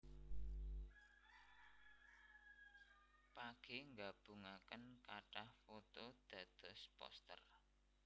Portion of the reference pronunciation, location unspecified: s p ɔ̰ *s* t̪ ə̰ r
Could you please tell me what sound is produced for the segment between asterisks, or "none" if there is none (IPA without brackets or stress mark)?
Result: s